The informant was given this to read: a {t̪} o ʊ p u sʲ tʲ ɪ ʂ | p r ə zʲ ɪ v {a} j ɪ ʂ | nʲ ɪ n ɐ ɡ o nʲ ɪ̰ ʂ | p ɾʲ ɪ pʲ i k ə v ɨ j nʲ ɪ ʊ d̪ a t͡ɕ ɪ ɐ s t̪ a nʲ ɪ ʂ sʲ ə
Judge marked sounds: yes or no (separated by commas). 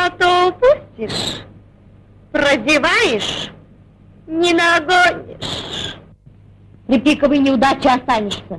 yes, yes